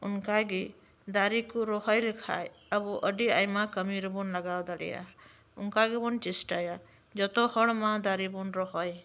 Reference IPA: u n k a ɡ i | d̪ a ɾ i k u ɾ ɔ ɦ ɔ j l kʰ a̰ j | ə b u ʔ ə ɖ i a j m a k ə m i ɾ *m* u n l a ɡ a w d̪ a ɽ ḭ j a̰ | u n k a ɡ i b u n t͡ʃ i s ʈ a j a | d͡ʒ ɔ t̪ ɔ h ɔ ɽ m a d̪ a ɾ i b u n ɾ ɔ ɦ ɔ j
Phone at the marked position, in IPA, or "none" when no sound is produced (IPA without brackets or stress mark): b